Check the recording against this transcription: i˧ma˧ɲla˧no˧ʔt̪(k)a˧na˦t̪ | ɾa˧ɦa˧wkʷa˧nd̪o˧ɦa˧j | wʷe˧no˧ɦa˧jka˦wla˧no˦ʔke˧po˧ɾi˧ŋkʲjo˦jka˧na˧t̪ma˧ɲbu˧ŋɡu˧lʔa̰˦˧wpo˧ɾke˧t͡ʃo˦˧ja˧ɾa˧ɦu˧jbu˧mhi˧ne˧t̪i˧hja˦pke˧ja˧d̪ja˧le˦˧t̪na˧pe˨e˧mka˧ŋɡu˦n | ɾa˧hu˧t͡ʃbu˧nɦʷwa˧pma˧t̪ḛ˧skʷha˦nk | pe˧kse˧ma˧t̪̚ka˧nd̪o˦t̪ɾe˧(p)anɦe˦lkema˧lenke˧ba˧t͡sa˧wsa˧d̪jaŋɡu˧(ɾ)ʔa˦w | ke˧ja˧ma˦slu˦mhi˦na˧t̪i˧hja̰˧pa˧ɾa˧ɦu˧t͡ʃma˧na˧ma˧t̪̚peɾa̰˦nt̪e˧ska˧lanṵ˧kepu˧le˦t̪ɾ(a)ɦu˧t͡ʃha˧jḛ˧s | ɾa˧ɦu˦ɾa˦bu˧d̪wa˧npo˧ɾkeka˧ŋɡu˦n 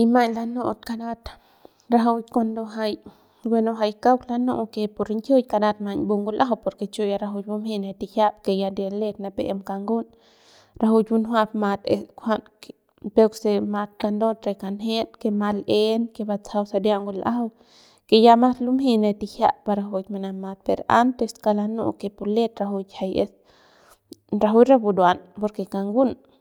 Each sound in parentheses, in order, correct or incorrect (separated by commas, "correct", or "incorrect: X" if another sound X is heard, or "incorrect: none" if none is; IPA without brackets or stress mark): correct, incorrect: k, incorrect: l, correct